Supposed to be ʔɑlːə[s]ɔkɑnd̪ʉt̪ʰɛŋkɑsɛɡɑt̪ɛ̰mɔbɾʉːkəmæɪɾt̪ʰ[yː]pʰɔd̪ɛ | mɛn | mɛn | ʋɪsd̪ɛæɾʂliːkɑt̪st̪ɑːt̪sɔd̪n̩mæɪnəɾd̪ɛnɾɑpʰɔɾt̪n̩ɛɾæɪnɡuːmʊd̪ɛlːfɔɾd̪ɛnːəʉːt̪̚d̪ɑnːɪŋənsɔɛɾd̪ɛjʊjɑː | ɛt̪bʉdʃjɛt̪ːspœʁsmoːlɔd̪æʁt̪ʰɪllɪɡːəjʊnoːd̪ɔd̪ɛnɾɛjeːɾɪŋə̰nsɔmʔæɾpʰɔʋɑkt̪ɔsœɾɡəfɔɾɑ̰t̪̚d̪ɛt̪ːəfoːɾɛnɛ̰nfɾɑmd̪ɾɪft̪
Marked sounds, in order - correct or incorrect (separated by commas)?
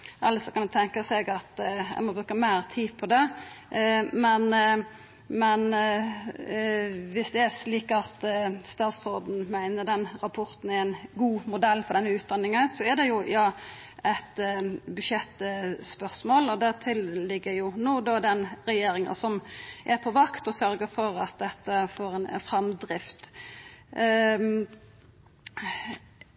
correct, incorrect